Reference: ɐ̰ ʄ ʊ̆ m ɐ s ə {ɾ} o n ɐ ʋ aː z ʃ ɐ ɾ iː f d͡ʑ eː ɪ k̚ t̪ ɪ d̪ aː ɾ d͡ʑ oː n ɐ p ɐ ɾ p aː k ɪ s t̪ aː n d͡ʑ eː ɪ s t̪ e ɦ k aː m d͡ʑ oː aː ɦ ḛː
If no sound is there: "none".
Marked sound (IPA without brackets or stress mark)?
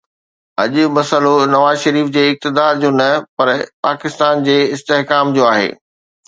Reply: l